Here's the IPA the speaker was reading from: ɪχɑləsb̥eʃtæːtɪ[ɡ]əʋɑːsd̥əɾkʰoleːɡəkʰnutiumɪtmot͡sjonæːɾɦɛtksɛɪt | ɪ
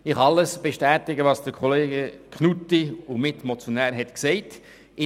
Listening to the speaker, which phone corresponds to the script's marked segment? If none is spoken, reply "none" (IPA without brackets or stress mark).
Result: ɡ